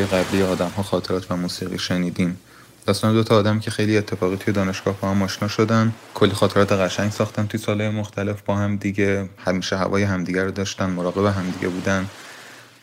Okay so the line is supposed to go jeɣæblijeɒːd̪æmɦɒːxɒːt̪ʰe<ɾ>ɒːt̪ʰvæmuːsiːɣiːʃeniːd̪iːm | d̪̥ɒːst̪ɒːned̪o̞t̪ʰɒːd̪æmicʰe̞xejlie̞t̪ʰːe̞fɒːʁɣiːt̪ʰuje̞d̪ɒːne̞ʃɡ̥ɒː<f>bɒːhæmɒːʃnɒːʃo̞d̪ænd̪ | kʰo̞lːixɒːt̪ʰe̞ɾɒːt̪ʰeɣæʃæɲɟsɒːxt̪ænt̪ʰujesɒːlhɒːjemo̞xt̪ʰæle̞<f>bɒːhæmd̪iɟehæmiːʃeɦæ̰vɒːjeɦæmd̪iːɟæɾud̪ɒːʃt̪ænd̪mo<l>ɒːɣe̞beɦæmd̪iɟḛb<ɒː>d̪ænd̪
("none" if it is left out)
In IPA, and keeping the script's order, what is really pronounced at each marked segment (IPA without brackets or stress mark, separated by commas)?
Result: ɾ, h, f, ɾ, uː